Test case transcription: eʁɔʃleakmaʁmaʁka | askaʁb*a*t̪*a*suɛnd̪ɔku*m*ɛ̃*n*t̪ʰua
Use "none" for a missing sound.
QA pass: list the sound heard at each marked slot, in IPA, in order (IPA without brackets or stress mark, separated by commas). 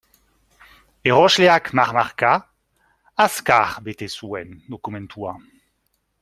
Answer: e, e, m, n